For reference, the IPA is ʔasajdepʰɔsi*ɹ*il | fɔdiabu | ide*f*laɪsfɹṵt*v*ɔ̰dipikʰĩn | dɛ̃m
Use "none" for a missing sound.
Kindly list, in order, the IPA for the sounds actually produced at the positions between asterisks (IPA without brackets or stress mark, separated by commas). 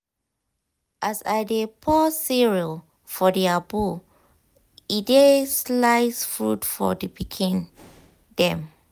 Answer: ɹ, s, f